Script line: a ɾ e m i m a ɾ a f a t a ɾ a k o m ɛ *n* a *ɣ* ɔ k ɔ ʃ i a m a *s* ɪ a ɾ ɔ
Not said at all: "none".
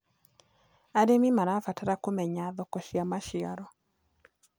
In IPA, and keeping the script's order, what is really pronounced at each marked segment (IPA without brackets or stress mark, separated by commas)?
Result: ɲ, ð, ʃ